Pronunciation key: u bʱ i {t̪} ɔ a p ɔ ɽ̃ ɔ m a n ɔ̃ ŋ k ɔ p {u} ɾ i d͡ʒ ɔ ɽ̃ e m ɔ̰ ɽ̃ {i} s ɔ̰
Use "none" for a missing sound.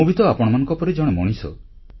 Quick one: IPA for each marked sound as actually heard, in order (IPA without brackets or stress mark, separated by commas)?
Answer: t̪, ɔ, i